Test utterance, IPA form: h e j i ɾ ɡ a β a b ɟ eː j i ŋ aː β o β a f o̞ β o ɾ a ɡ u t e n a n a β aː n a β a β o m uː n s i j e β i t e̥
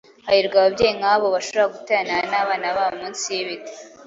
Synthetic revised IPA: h a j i ɾ ɡ a β a b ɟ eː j i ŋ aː β o β a ʃ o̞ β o ɾ a ɡ u t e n a n a β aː n a β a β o m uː n s i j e β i t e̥